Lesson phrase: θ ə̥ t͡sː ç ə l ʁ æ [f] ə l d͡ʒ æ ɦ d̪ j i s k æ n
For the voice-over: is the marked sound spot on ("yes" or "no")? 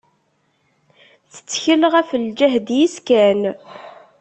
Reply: yes